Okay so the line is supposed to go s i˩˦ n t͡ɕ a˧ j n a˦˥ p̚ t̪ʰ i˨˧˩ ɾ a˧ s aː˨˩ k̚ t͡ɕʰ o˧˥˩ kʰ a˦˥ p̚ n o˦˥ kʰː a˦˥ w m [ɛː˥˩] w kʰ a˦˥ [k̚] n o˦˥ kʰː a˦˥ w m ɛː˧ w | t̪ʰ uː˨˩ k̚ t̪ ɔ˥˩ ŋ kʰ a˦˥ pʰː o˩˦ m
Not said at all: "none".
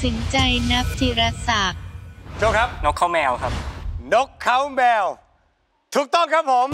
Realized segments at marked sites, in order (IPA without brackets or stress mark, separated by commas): ɛː˧, p̚